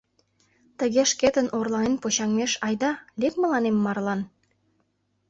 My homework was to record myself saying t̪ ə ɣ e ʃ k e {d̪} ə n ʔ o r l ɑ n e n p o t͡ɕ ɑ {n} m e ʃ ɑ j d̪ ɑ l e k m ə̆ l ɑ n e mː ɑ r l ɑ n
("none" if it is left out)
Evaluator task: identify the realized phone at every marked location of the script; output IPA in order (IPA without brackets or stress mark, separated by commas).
t̪, ŋ